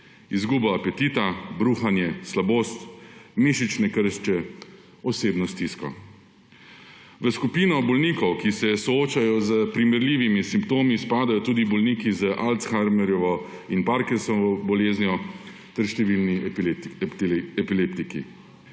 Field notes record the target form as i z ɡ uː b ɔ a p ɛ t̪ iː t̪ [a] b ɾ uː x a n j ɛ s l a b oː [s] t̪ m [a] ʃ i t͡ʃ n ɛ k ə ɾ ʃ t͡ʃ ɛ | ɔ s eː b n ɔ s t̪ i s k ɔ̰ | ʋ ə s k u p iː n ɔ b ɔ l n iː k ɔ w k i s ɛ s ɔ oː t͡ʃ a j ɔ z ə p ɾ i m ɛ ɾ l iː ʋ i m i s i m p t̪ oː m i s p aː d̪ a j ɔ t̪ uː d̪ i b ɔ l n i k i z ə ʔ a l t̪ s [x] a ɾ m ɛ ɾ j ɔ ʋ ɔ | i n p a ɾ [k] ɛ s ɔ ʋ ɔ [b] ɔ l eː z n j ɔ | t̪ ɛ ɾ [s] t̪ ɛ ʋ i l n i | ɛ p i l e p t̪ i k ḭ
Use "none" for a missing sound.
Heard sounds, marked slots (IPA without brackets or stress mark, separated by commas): a, s, i, x, k, b, ʃ